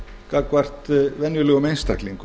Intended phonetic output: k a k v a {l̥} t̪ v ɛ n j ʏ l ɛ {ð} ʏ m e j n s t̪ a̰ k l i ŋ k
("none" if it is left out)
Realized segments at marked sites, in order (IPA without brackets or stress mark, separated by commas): r̥, ɣ